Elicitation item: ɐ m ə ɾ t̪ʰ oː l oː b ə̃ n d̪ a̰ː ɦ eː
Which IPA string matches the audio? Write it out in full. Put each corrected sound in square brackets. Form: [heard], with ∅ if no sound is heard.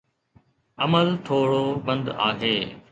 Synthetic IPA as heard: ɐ m ə [l] t̪ʰ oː [ɽ] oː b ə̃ n d̪ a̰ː ɦ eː